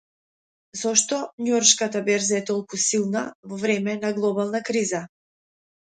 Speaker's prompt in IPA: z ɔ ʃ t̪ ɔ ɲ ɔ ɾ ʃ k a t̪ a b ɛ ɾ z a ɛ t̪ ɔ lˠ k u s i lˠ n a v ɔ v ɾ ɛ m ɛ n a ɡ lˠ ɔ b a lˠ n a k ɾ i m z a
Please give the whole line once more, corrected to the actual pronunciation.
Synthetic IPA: z ɔ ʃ t̪ ɔ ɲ ɔ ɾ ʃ k a t̪ a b ɛ ɾ z a ɛ t̪ ɔ lˠ k u s i lˠ n a v ɔ v ɾ ɛ m ɛ n a ɡ lˠ ɔ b a lˠ n a k ɾ i z a